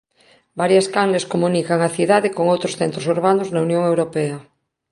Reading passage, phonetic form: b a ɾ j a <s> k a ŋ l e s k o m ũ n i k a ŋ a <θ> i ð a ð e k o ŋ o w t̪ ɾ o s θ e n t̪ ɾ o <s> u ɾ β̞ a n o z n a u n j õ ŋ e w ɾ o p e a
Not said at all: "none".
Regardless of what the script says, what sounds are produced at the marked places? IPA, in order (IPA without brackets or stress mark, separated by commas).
s, θ, s